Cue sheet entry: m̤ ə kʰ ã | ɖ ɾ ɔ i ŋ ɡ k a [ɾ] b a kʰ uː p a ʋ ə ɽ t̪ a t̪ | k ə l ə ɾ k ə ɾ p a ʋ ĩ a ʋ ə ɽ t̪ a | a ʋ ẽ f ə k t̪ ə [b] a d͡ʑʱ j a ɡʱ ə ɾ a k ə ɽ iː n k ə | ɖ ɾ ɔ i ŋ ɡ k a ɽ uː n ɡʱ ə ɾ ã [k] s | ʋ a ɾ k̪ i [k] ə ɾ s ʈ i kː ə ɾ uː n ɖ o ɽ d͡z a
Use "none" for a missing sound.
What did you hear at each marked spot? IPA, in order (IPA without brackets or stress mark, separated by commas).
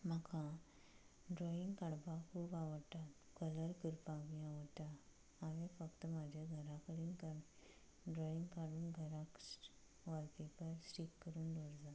ɽ, m, k, p